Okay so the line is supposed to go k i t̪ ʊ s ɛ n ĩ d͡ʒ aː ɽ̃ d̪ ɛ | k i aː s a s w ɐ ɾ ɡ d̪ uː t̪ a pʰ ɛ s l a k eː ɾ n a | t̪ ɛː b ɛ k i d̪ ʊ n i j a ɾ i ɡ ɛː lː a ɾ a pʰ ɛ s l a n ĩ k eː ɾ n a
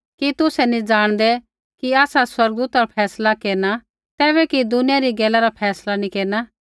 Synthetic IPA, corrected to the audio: k i t̪ ʊ s ɛ n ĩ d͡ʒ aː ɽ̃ d̪ ɛ | k i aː s a s w ɐ ɾ ɡ d̪ uː t̪ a pʰ ɛː s l a k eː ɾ n a | t̪ ɛː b ɛ k i d̪ ʊ n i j a ɾ i ɡ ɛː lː a ɾ a pʰ ɛː s l a n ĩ k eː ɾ n a

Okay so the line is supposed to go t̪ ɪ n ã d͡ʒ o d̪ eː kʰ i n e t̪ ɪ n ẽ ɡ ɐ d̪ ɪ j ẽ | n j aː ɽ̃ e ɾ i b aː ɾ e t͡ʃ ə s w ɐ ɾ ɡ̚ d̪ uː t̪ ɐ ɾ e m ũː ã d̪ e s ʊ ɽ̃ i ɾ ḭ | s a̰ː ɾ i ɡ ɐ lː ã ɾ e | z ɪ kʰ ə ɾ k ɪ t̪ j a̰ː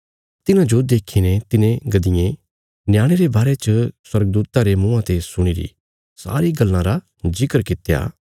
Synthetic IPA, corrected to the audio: t̪ ɪ n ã d͡ʒ o d̪ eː kʰ i n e t̪ ɪ n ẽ ɡ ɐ d̪ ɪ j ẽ | n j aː ɽ̃ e ɾ e b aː ɾ e t͡ʃ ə s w ɐ ɾ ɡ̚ d̪ uː t̪ a ɾ e m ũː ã t̪ e s ʊ ɽ̃ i ɾ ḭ | s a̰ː ɾ i ɡ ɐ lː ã ɾ a | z ɪ k ə ɾ k ɪ t̪ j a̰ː

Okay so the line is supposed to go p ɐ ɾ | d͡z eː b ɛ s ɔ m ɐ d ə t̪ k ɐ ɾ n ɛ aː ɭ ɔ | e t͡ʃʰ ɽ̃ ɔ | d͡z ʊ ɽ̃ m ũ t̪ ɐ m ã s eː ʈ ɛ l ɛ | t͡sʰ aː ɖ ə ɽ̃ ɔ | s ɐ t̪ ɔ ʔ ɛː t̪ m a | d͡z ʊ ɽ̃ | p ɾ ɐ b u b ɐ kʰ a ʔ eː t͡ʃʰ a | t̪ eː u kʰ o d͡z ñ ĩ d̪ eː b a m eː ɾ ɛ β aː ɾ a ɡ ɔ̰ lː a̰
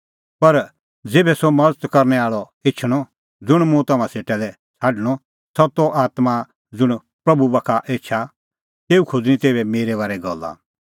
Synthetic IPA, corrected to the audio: p ɐ ɾ | d͡z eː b ɛ s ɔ m ɐ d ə t̪ k ɐ ɾ n ɛ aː ɭ ɔ | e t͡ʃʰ ɽ̃ ɔ | d͡z ʊ ɽ̃ m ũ t̪ ɐ m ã s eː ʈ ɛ l ɛ | t͡sʰ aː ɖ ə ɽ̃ ɔ | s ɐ t̪ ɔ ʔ aː t̪ m a | d͡z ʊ ɽ̃ | p ɾ ɐ b u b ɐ kʰ a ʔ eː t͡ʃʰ a | t̪ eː u kʰ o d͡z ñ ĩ t̪ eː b ɛ m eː ɾ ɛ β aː ɾ ɛ ɡ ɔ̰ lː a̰

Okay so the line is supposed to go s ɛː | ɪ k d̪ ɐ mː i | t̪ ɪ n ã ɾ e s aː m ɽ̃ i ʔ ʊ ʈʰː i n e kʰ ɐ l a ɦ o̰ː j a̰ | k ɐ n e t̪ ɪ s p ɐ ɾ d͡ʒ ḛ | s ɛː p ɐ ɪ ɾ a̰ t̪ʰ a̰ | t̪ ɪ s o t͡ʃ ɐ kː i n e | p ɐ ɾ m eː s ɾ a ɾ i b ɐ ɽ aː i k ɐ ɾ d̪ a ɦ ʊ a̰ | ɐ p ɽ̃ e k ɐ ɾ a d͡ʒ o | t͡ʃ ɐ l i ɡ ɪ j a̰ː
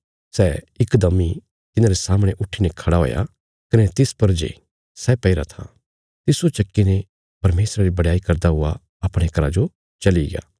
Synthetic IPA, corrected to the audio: s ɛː | ɪ k d̪ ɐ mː i | t̪ ɪ n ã ɾ e s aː m ɽ̃ e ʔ ʊ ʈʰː i n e kʰ ɐ ɽ a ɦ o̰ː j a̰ | k ɐ n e t̪ ɪ s p ɐ ɾ d͡ʒ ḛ | s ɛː p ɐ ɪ ɾ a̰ t̪ʰ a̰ | t̪ ɪ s o t͡ʃ ɐ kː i n e | p ɐ ɾ m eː s ɾ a ɾ i b ɐ ɽ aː i k ɐ ɾ d̪ a ɦ ʊ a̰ | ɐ p ɽ̃ e k ɐ ɾ a d͡ʒ o | t͡ʃ ɐ l i ɡ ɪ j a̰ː

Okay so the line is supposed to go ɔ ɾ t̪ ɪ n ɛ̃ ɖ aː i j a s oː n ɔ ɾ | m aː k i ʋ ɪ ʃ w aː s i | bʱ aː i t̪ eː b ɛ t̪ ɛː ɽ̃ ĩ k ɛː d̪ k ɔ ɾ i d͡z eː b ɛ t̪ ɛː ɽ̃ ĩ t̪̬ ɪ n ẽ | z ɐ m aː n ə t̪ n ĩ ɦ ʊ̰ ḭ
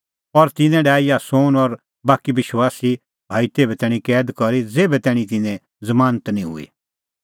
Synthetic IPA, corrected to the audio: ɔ ɾ t̪ ɪ n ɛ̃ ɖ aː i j a s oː n ɔ ɾ | b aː k i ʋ ɪ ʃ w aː s i | bʱ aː i t̪ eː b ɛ t̪ ɛː ɽ̃ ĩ k ɛː d̪ k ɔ ɾ i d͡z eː b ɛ t̪ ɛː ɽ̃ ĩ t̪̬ ɪ n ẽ | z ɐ m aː n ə t̪ n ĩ ɦ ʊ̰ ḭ

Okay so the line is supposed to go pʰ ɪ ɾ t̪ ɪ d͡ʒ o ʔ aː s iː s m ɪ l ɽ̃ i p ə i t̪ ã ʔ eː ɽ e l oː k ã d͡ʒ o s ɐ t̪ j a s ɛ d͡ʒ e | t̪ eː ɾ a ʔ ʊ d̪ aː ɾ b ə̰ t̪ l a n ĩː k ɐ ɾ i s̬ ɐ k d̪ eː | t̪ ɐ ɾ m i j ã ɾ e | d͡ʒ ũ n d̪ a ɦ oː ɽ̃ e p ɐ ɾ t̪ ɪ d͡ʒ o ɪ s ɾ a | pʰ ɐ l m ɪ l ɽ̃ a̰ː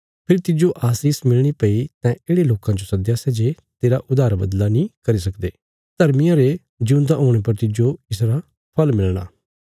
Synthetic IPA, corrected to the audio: pʰ ɪ ɾ t̪ ɪ d͡ʒ o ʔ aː s iː s m ɪ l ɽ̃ i p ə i t̪ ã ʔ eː ɽ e l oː k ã d͡ʒ o s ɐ d̪ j a s ɛ d͡ʒ e | t̪ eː ɾ a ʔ ʊ d̪ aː ɾ b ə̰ d̪ l a n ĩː k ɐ ɾ i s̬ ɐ k d̪ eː | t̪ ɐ ɾ m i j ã ɾ e | d͡ʒ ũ n d̪ a ɦ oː ɽ̃ e p ɐ ɾ t̪ ɪ d͡ʒ o ɪ s ɾ a | pʰ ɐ l m ɪ l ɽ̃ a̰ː

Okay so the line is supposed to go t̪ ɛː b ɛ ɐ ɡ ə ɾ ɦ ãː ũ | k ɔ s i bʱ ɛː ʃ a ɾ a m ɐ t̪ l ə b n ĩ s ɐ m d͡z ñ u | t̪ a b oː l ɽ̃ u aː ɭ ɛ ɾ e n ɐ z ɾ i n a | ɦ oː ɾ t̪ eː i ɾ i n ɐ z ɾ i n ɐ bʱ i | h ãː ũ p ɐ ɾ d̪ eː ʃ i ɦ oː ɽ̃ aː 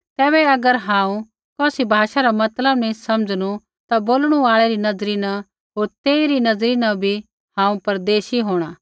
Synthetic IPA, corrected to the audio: t̪ ɛː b ɛ ɐ ɡ ə ɾ ɦ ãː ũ | k ɔː s i bʱ aː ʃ a ɾ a m ɐ t̪ l ə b n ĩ s ɐ m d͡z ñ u | t̪ a b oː l ɽ̃ u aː ɭ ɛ ɾ i n ɐ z ɾ i n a | ɦ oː ɾ t̪ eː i ɾ i n ɐ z ɾ i n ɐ bʱ i | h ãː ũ p ɐ ɾ d̪ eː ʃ i ɦ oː ɽ̃ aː

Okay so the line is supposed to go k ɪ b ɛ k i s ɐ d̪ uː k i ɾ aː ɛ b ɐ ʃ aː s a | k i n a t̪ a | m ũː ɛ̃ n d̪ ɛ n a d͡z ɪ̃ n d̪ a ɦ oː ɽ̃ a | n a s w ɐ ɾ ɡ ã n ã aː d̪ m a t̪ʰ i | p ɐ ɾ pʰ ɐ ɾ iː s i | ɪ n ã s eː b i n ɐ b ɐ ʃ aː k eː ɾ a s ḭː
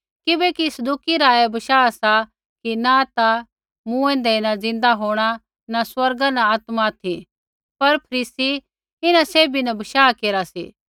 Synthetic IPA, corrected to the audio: k ɪ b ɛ k i s ɐ d̪ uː k i ɾ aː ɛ b ɐ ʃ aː s a | k i n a t̪ a | m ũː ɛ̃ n d̪ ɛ n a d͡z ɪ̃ n d̪ a ɦ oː ɽ̃ a | n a s w ɐ ɾ ɡ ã n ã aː t̪ m a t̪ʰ i | p ɐ ɾ pʰ ɐ ɾ iː s i | ɪ n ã s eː b i n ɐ b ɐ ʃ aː k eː ɾ a s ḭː

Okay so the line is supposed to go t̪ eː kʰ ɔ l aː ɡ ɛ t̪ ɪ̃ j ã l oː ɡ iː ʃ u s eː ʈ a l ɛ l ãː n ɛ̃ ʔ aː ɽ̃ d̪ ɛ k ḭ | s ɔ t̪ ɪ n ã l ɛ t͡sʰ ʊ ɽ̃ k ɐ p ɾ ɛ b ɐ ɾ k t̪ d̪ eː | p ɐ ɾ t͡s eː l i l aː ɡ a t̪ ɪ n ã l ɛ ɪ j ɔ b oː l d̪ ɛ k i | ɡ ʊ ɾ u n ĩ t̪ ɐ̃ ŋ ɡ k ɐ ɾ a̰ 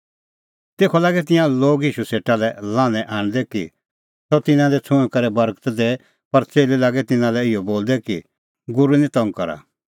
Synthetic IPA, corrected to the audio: t̪ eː kʰ ɔ l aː ɡ ɛ t̪ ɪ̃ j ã l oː ɡ iː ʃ u s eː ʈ a l ɛ l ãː n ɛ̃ ʔ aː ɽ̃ d̪ ɛ k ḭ | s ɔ t̪ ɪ n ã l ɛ t͡sʰ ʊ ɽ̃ k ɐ ɾ ɛ b ɐ ɾ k t̪ d̪ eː | p ɐ ɾ t͡s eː l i l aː ɡ ɛ t̪ ɪ n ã l ɛ ɪ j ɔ b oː l d̪ ɛ k i | ɡ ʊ ɾ u n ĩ t̪ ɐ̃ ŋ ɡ k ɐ ɾ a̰

